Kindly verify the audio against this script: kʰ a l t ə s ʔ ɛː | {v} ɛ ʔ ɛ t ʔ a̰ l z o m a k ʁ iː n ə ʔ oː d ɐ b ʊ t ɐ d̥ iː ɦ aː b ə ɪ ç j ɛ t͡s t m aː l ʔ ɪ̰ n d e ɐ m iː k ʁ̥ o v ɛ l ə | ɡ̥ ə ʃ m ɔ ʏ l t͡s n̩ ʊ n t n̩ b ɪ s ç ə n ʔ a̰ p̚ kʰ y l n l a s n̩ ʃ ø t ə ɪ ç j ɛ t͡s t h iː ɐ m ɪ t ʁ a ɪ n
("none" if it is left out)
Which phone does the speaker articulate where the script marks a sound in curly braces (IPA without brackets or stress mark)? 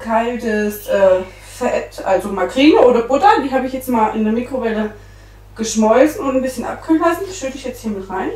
f